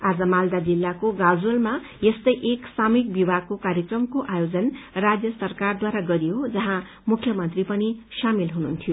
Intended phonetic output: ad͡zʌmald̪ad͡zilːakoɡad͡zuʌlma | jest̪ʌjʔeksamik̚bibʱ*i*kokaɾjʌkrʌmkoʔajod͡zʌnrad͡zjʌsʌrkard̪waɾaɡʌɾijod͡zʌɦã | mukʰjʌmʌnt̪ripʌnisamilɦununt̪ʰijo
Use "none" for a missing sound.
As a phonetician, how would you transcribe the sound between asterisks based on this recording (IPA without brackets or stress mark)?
a